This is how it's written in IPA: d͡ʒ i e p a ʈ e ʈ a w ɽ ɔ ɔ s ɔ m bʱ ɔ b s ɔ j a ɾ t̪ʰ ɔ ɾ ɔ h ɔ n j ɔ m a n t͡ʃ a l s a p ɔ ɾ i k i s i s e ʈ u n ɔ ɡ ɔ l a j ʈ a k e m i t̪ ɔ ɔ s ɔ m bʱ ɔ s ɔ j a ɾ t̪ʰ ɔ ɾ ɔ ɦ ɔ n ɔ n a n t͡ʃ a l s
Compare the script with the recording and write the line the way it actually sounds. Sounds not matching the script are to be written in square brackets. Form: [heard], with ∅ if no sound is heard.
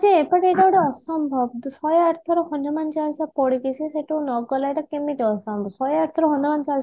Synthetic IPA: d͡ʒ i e p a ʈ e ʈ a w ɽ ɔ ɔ s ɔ m bʱ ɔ b s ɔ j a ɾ t̪ʰ ɔ ɾ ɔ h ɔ n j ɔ m a n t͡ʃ a l s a p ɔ [ɽ] i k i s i s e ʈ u n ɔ ɡ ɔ l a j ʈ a k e m i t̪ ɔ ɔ s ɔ m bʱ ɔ s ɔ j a ɾ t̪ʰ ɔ ɾ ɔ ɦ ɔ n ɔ [m] a n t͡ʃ a l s